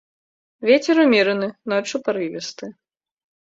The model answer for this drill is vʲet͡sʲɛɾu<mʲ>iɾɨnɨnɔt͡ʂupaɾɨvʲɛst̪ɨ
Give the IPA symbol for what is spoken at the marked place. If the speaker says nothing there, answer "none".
mʲ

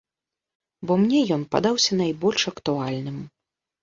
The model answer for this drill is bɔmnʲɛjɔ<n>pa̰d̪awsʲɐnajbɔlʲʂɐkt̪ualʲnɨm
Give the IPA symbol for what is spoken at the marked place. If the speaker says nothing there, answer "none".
n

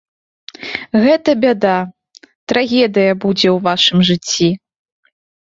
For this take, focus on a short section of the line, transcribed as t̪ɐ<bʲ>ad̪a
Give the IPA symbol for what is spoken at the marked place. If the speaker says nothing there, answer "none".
bʲ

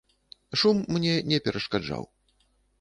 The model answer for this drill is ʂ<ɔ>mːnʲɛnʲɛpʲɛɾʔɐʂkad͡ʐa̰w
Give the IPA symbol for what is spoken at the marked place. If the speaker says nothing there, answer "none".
u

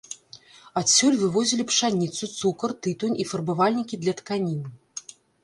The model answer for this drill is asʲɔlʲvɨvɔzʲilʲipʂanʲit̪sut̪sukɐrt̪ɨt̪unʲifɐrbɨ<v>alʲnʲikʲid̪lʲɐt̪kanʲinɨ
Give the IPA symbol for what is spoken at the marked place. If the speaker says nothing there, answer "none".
v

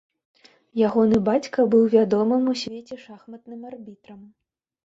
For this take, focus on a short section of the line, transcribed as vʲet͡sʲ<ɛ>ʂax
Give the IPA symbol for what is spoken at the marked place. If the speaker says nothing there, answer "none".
ɛ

